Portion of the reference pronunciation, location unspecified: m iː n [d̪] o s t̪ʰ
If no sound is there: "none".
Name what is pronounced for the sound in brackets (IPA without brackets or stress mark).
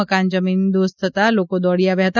d̪